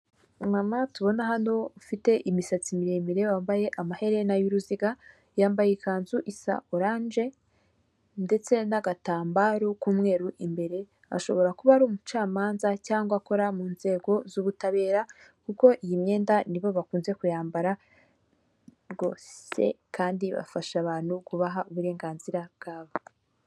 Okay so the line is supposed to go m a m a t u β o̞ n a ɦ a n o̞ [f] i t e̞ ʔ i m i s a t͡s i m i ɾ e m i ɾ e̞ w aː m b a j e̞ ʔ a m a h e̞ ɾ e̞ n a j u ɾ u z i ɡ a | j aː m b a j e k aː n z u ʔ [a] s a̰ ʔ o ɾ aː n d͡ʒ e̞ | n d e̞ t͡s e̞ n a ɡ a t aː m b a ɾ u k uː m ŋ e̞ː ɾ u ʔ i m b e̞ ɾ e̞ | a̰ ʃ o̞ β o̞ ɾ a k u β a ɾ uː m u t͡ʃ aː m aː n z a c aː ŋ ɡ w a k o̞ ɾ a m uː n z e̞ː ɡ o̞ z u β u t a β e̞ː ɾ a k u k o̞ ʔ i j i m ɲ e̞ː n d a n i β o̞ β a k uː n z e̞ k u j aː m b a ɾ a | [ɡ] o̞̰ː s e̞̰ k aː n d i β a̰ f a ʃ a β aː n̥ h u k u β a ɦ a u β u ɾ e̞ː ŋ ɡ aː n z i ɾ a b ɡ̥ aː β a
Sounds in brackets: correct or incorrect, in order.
correct, incorrect: i, correct

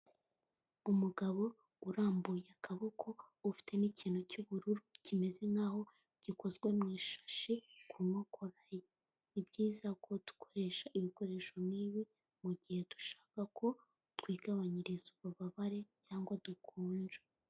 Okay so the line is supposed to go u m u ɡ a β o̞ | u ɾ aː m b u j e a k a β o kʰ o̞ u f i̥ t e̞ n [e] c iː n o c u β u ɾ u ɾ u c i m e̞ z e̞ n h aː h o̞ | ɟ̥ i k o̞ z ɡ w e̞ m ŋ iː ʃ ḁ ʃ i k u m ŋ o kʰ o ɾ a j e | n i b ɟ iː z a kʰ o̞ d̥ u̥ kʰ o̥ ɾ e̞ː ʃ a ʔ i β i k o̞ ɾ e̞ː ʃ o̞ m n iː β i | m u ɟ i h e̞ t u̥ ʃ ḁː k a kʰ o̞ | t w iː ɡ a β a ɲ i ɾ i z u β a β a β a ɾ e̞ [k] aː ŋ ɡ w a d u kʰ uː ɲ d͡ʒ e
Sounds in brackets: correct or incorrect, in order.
incorrect: i, incorrect: c

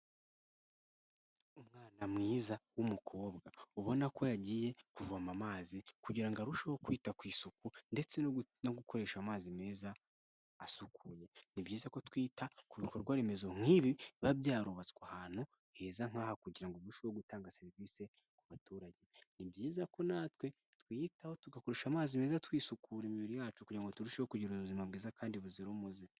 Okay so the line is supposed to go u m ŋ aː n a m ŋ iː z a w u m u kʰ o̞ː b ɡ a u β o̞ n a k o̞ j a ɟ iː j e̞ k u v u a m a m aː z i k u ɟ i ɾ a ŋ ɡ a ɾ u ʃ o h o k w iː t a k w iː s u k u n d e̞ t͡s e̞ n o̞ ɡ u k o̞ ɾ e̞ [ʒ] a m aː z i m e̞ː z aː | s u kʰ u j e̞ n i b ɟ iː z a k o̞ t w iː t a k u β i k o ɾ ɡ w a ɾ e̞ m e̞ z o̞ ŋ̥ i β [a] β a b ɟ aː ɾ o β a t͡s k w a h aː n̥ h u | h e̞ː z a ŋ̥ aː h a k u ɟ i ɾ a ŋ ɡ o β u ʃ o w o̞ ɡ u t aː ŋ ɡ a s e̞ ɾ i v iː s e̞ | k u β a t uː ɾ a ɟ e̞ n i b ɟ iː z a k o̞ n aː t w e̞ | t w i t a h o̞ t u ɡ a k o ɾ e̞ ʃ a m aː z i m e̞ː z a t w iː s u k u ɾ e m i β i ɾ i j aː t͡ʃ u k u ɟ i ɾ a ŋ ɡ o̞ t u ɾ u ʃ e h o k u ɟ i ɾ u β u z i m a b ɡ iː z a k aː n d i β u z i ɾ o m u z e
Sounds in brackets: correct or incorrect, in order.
incorrect: ʃ, incorrect: i

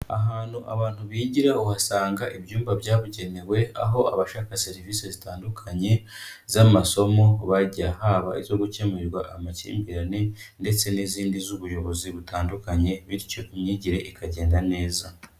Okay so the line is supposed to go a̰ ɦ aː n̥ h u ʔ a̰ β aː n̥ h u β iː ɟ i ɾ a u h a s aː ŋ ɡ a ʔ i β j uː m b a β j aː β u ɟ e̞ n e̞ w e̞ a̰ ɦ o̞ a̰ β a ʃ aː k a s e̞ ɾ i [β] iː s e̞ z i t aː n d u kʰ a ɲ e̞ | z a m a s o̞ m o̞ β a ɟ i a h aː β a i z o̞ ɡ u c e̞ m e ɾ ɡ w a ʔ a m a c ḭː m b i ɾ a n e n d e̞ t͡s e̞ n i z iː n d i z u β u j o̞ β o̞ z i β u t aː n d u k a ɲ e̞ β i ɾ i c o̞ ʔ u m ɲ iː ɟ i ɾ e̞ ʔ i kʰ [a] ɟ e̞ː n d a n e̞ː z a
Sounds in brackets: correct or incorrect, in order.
incorrect: v, correct

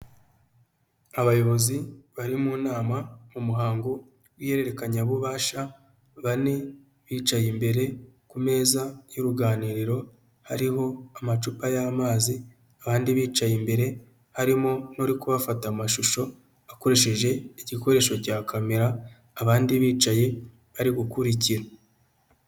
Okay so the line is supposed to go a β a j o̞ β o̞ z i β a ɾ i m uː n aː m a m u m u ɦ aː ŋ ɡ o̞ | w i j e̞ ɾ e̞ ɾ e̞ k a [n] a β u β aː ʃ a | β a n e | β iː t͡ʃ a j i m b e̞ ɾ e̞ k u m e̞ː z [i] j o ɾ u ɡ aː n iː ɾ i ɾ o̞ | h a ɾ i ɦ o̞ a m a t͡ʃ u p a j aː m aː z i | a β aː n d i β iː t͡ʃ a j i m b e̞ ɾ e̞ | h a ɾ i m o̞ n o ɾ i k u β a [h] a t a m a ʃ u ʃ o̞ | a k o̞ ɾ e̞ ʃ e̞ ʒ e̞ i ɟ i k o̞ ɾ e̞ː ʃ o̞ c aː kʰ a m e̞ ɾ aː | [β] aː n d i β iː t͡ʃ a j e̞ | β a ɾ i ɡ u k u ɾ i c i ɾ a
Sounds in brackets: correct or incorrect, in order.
incorrect: ɲ, incorrect: a, incorrect: f, correct

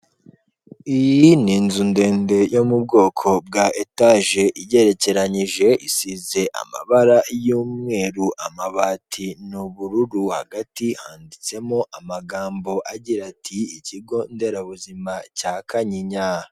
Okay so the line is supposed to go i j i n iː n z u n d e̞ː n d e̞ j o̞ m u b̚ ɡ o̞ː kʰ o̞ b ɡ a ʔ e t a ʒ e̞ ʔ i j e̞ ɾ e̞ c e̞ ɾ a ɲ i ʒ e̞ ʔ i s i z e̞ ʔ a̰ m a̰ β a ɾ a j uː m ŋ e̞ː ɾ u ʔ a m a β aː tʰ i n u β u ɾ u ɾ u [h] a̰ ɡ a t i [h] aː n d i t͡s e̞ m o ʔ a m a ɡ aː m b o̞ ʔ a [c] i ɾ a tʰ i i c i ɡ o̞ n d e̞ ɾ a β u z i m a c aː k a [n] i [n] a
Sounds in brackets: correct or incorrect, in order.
correct, correct, incorrect: ɟ, incorrect: ɲ, incorrect: ɲ

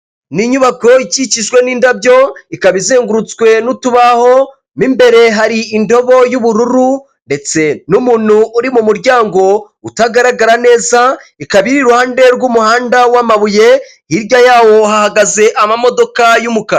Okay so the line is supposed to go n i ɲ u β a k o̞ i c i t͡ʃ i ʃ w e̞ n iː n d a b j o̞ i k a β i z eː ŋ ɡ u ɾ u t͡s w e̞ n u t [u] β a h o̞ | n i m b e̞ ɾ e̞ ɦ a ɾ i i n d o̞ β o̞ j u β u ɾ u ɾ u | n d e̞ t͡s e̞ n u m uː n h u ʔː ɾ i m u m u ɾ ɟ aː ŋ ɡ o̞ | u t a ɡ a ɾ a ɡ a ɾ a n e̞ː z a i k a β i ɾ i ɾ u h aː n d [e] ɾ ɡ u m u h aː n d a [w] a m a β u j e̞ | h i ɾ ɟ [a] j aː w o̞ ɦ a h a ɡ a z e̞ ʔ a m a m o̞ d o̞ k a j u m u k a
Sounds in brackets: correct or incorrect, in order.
correct, correct, correct, correct

